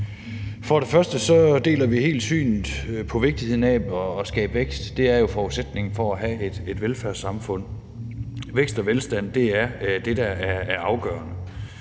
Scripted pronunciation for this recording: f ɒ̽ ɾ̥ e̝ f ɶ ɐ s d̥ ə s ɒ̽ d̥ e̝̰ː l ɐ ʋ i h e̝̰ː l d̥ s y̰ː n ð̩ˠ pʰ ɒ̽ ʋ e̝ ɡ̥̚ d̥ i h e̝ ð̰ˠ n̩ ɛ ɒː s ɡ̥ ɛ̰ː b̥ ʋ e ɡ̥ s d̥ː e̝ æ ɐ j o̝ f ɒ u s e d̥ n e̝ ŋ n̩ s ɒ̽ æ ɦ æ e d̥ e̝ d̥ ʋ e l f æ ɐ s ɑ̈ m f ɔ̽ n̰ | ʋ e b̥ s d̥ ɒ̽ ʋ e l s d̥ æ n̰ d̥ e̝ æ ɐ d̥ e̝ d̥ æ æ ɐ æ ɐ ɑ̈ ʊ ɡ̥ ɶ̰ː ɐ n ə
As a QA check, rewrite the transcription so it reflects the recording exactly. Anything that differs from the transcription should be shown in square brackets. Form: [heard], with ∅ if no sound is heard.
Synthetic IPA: f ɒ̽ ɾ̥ e̝ f ɶ ɐ s d̥ ə s ɒ̽ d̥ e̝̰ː l ɐ ʋ i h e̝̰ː l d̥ s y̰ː n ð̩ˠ pʰ ɒ̽ ʋ e̝ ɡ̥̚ d̥ i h e̝ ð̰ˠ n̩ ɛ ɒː s ɡ̥ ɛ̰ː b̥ ʋ e ɡ̥ s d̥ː e̝ æ ɐ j o̝ f ɒ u s e d̥ n e̝ ŋ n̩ [f] ɒ̽ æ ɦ æ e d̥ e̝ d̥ ʋ e l f æ ɐ s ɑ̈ m f ɔ̽ n̰ | ʋ e [ɡ̥] s d̥ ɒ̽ ʋ e l s d̥ æ n̰ d̥ e̝ æ ɐ d̥ e̝ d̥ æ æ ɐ æ ɐ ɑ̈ ʊ ɡ̥ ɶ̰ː ɐ n ə